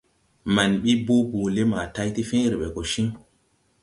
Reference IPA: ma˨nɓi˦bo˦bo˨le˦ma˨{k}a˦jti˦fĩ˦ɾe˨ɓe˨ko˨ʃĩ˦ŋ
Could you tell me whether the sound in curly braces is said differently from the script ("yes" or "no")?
yes